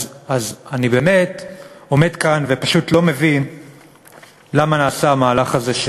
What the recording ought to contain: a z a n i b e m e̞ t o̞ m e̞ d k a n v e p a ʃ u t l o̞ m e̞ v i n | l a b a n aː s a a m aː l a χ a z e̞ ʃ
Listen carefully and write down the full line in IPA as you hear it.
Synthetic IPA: a z a n i b e m e̞ t o̞ m e̞ d k a n v e p a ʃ u t l o̞ m e̞ v i n | l a m a n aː s a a m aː l a χ a z e̞ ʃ